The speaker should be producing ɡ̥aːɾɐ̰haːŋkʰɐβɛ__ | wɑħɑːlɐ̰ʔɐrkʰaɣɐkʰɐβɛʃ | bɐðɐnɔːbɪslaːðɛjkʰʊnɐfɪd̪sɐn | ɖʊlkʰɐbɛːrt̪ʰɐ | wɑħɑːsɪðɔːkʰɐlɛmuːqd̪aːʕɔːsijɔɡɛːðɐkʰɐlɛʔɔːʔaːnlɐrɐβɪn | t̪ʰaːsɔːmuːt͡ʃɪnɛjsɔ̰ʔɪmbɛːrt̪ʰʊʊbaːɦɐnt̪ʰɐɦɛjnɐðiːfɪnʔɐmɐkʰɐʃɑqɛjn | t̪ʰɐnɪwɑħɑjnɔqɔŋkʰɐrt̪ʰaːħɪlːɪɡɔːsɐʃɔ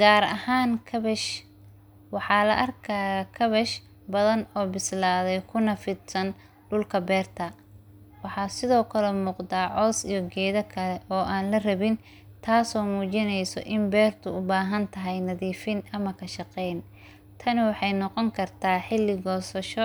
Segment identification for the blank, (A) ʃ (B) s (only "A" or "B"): A